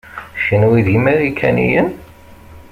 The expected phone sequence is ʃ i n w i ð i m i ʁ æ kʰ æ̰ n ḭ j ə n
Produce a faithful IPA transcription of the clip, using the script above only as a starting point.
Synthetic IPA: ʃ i n w i ð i m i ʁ i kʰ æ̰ n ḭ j ə n